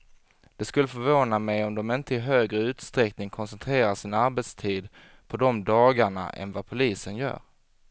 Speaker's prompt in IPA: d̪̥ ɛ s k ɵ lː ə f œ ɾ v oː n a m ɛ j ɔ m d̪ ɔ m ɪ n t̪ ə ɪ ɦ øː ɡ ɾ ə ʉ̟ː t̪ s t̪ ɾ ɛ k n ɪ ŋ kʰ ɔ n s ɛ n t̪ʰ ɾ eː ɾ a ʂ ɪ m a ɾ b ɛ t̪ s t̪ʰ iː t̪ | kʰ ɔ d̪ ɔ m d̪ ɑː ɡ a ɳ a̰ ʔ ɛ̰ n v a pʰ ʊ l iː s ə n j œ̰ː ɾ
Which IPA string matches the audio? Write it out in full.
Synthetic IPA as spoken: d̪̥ ɛ s k ɵ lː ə f œ ɾ v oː n a m ɛ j ɔ m d̪ ɔ m ɪ n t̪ ə ɪ ɦ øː ɡ ɾ ə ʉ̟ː t̪ s t̪ ɾ ɛ k n ɪ ŋ kʰ ɔ n s ɛ n t̪ʰ ɾ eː ɾ a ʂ ɪ n a ɾ b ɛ t̪ s t̪ʰ iː d̪ | pʰ ɔ d̪ ɔ m d̪ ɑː ɡ a ɳ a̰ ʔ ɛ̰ n v a pʰ ʊ l iː s ə n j œ̰ː ɾ